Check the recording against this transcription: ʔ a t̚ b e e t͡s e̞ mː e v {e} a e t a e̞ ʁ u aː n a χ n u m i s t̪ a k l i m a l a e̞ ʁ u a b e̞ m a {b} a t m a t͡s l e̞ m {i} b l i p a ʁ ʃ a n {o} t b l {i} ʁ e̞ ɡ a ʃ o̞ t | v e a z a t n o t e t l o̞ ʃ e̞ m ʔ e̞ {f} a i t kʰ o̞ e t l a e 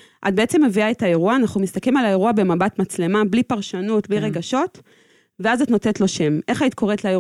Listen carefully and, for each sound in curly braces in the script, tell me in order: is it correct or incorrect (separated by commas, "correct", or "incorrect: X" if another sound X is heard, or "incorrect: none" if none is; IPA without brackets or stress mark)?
incorrect: i, correct, incorrect: a, incorrect: u, correct, incorrect: χ